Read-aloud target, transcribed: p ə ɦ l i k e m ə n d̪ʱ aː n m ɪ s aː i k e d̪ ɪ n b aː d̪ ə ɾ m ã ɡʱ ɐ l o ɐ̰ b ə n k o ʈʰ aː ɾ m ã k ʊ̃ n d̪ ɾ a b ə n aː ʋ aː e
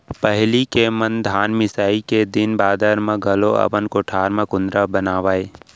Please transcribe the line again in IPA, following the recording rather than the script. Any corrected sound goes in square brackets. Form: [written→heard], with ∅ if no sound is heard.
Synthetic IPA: p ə ɦ l i k e m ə n d̪ʱ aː n m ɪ s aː i k e d̪ ɪ n b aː d̪ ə ɾ m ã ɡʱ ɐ l o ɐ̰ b ə n k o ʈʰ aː ɾ m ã k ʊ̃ n d̪ ɾ a b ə n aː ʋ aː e